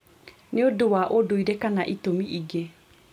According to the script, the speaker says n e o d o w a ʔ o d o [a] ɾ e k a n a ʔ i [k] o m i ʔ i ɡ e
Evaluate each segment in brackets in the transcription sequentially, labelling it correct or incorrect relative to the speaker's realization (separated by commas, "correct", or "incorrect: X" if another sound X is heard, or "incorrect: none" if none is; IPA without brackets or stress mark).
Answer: incorrect: i, incorrect: t